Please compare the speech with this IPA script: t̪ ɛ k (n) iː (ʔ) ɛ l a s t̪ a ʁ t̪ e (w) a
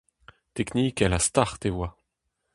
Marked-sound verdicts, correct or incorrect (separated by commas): correct, incorrect, correct